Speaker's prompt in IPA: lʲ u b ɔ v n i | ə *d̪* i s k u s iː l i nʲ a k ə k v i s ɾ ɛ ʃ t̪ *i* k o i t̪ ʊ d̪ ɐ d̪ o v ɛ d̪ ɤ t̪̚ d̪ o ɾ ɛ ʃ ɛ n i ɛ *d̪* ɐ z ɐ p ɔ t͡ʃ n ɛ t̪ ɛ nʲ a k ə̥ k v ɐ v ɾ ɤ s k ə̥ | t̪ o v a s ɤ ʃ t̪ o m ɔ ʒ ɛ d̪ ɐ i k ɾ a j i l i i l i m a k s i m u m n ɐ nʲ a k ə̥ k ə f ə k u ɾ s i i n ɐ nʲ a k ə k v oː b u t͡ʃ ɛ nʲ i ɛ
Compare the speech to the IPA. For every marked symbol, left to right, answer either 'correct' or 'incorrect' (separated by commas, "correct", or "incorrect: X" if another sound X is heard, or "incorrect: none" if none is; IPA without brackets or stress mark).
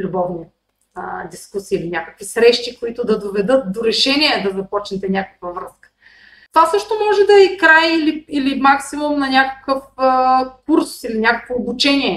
correct, correct, correct